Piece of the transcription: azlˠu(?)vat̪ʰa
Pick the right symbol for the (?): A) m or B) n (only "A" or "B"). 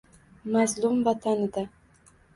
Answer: A